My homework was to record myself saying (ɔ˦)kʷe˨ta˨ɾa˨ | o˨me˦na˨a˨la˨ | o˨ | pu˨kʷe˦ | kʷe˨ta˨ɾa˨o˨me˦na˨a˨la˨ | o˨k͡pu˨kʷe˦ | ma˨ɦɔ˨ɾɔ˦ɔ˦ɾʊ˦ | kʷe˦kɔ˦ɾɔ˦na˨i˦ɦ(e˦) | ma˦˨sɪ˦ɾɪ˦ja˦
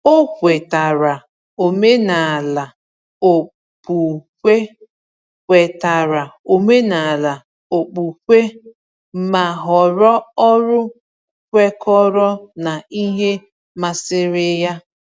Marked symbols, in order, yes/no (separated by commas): no, yes